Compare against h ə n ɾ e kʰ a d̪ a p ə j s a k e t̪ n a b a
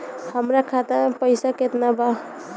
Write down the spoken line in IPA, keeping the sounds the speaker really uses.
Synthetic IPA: h ə m ɾ a kʰ a t̪ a p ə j s a k e t̪ n a b a